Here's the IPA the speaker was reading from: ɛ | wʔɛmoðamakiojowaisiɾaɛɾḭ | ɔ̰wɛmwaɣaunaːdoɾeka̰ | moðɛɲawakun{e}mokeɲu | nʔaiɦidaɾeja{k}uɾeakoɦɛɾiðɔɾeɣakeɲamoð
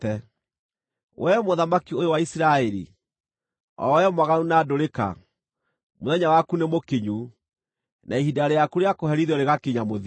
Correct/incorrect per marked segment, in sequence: correct, correct

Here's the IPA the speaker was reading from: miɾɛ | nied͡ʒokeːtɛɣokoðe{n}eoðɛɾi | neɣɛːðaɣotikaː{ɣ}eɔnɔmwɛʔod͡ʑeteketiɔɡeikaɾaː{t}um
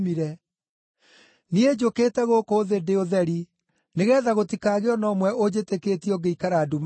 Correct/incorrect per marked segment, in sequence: incorrect, correct, incorrect

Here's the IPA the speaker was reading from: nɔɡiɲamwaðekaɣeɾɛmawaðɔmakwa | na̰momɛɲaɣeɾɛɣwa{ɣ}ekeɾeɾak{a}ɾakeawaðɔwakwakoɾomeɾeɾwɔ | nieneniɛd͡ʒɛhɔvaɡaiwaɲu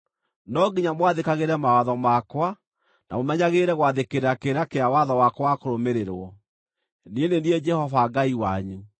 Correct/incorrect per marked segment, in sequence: incorrect, incorrect

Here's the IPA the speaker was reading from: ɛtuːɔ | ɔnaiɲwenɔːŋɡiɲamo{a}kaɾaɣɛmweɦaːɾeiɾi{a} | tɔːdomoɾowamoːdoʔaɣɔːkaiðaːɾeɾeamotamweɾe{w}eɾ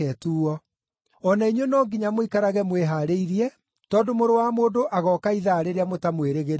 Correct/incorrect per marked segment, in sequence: incorrect, incorrect, incorrect

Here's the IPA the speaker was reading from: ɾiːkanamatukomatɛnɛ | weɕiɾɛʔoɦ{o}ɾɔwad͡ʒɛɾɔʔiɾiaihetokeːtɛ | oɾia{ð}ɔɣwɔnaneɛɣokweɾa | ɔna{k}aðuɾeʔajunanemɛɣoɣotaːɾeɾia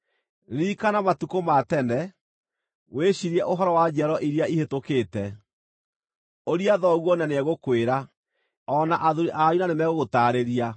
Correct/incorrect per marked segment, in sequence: incorrect, correct, incorrect

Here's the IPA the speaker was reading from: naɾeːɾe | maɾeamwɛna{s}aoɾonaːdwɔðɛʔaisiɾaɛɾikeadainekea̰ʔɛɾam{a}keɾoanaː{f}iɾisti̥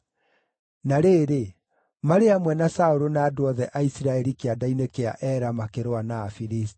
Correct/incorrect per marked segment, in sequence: correct, correct, correct

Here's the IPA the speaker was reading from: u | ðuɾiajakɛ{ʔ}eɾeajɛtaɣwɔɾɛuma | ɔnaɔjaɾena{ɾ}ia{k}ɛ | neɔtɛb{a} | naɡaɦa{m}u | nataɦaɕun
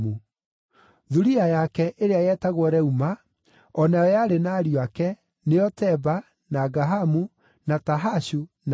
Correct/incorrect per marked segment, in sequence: correct, correct, correct, correct, correct

